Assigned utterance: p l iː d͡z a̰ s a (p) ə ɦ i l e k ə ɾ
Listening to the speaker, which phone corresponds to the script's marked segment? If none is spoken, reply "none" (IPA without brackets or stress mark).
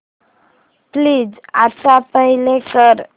p